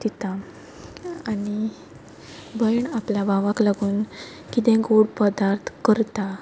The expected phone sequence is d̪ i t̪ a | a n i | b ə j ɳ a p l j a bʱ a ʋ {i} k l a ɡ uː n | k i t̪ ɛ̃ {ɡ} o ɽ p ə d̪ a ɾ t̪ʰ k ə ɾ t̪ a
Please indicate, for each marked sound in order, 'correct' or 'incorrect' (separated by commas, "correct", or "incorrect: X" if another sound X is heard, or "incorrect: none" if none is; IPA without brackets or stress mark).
incorrect: a, correct